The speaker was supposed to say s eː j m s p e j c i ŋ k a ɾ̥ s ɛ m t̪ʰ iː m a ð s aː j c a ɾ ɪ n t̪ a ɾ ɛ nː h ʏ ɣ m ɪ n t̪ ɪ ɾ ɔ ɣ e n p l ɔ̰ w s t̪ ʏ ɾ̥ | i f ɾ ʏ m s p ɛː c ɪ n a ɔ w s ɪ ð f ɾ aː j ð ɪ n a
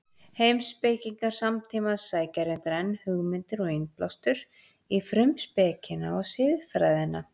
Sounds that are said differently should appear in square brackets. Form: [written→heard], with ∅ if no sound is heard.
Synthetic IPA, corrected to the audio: [s→h] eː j m s p e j c i ŋ k a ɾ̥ s [ɛ→a] m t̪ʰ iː m a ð s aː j c a ɾ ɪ n t̪ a ɾ ɛ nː h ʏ ɣ m ɪ n t̪ ɪ ɾ ɔ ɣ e n p l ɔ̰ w s t̪ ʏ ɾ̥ | i f ɾ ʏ m s p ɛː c ɪ n a ɔ [w→ɣ] s ɪ ð f ɾ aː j ð ɪ n a

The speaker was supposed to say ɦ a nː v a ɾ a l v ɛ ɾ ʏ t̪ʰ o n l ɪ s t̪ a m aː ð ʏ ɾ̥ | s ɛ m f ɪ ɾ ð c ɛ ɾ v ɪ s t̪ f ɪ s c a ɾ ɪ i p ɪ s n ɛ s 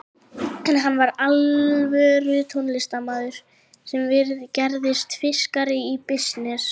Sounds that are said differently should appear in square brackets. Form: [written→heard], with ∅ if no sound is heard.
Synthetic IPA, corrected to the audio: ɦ a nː v a ɾ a l v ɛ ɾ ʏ t̪ʰ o n l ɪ s t̪ a m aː ð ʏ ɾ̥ | s ɛ m [f→v] ɪ ɾ ð c ɛ ɾ [v→ð] ɪ s t̪ f ɪ s [c→k] a ɾ ɪ i p ɪ s n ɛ s

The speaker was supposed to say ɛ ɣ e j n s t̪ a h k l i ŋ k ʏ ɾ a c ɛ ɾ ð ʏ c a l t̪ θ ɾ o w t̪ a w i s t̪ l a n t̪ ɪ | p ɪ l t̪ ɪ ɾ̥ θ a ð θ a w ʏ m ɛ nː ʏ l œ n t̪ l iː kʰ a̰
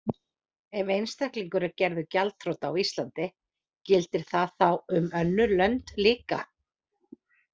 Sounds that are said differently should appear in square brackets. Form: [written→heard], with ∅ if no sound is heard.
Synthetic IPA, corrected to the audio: ɛ [ɣ→v] e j n s t̪ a h k l i ŋ k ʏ ɾ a c ɛ ɾ ð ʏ c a l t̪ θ ɾ o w t̪ a w i s t̪ l a n t̪ ɪ | [p→c] ɪ l t̪ ɪ ɾ̥ θ a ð θ a w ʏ m [ɛ→œ] nː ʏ l œ n t̪ l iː [kʰ→k] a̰

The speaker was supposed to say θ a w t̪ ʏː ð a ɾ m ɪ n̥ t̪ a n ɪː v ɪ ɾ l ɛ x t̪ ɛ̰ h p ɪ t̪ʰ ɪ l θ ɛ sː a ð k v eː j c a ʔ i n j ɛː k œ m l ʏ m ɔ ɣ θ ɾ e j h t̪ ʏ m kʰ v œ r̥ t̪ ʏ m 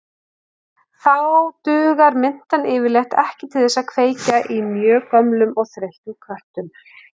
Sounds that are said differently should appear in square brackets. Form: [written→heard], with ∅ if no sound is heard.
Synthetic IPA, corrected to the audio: θ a w t̪ ʏː [ð→ɣ] a ɾ m ɪ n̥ t̪ a n ɪː v ɪ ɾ l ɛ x t̪ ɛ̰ h [p→c] ɪ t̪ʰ ɪ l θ ɛ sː a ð [k→kʰ] v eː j c a ʔ i [n→m] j [ɛː→œː] k œ m l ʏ m ɔ ɣ θ ɾ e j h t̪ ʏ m kʰ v œ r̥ t̪ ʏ m

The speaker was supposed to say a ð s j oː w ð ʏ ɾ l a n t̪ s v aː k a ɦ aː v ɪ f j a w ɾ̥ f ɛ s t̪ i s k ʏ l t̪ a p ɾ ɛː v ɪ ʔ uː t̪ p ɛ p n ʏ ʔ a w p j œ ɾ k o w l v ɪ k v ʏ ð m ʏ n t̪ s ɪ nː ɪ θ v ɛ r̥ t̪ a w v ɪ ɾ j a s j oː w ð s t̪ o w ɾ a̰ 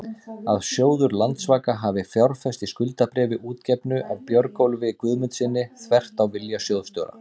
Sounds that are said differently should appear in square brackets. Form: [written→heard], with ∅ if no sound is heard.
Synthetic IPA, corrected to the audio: a ð s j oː w ð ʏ ɾ l a n t̪ s v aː k a ɦ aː v ɪ f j a w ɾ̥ f ɛ s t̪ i s k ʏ l t̪ a p ɾ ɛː v ɪ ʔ uː t̪ [p→c] ɛ p n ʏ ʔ a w p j œ ɾ k o w l v ɪ k v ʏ ð m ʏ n t̪ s ɪ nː ɪ θ v ɛ r̥ t̪ a w v ɪ [ɾ→l] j a s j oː w ð s t̪ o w ɾ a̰

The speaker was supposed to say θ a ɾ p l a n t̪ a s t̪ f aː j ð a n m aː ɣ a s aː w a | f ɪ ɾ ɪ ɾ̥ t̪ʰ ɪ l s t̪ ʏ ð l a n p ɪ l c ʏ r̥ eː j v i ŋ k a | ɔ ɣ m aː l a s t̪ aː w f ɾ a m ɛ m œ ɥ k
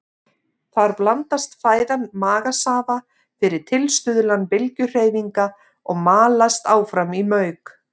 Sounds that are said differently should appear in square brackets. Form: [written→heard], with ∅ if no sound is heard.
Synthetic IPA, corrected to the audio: θ a ɾ p l a n t̪ a s t̪ f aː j ð a n m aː ɣ a s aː [w→v] a | f ɪ ɾ ɪ ɾ̥ t̪ʰ ɪ l s t̪ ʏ ð l a n p ɪ l c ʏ r̥ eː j v i ŋ k a | ɔ ɣ m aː l a s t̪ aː w f ɾ a m [ɛ→i] m œ ɥ k

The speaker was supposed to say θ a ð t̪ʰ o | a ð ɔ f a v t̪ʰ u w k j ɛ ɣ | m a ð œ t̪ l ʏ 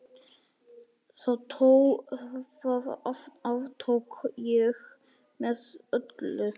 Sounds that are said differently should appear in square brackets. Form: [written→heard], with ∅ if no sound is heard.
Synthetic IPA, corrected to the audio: θ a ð t̪ʰ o | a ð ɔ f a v t̪ʰ [u→o] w k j ɛ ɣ | m [a→ɛ] ð œ t̪ l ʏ

